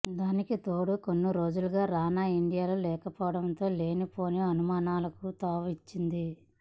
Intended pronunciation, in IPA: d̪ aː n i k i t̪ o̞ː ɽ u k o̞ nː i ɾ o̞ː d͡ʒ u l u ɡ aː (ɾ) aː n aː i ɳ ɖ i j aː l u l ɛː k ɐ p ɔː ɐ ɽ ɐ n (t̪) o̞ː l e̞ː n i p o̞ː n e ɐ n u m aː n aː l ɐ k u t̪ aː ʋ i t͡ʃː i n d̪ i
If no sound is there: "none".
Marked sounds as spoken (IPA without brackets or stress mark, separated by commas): ɾ, t̪